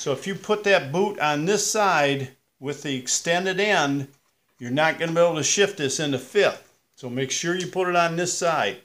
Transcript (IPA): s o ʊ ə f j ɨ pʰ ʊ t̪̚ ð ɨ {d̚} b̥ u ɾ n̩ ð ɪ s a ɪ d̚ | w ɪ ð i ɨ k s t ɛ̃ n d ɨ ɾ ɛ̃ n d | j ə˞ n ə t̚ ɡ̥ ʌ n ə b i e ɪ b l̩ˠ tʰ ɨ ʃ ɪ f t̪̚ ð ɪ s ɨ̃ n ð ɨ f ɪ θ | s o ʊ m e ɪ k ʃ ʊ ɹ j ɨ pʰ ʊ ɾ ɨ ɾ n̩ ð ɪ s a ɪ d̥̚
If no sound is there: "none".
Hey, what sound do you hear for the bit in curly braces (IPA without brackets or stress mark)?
t̚